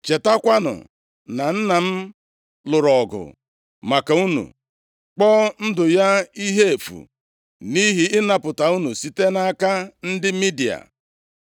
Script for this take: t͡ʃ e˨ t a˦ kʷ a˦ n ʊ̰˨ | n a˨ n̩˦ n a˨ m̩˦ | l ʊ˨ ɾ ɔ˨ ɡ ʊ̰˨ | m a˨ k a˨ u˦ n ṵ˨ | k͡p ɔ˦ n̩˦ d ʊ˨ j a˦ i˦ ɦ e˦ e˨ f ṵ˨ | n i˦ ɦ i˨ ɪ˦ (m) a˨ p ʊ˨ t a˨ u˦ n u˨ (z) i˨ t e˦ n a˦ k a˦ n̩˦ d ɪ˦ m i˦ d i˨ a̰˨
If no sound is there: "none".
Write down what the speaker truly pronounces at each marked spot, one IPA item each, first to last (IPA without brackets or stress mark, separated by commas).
n, s